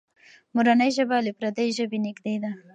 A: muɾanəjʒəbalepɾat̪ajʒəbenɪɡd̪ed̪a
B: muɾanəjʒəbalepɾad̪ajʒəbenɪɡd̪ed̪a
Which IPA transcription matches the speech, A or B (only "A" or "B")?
B